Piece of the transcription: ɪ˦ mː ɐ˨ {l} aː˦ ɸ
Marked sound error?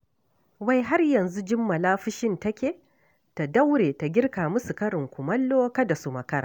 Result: no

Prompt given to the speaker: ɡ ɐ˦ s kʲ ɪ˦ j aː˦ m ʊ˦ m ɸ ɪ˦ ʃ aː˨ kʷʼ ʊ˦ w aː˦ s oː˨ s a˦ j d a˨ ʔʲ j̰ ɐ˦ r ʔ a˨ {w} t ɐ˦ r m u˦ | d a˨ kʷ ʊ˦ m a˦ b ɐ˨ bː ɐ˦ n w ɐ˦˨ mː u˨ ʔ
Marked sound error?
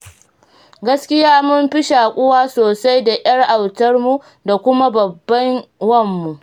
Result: no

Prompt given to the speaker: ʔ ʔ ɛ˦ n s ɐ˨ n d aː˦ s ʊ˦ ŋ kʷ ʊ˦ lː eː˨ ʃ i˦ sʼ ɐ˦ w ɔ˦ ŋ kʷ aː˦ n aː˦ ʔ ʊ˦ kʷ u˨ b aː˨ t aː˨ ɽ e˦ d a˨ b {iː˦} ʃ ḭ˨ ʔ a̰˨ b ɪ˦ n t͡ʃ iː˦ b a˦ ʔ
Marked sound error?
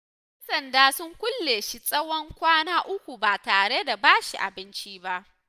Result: yes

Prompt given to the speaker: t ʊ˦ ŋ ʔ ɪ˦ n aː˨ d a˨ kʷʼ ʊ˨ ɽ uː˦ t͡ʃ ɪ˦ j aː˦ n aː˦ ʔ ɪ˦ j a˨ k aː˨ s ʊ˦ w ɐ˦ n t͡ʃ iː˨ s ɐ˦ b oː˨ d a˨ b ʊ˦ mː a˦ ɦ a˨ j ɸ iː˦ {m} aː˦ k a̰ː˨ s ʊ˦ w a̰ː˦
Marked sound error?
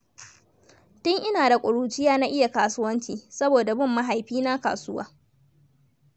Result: yes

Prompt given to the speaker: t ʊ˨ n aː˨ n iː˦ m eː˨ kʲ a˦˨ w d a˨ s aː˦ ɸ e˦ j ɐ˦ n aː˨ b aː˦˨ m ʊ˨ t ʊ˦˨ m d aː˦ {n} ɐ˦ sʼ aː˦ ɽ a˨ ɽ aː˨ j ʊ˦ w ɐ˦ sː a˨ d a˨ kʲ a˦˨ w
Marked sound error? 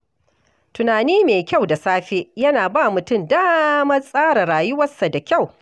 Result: yes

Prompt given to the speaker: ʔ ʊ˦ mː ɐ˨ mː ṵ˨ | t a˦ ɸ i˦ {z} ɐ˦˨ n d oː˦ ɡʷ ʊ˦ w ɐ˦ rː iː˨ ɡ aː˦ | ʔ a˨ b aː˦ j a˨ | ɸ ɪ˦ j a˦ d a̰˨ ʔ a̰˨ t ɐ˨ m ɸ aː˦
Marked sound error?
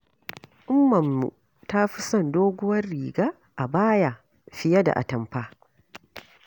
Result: yes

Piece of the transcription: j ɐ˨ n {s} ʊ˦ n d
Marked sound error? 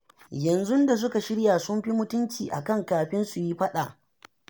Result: yes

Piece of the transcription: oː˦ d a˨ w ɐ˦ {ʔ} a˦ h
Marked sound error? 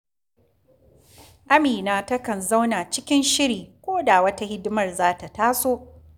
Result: yes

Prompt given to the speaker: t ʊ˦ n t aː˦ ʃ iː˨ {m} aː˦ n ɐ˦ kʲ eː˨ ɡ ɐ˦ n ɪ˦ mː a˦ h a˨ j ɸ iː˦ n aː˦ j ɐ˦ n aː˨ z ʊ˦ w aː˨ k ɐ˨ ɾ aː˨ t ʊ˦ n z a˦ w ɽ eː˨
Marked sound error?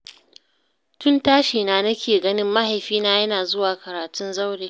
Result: yes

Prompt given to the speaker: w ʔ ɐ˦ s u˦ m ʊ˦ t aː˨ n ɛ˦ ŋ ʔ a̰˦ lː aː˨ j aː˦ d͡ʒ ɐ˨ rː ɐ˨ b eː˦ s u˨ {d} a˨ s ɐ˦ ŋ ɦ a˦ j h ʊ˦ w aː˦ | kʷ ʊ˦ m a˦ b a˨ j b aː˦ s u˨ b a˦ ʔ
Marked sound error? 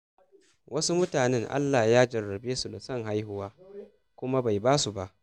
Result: no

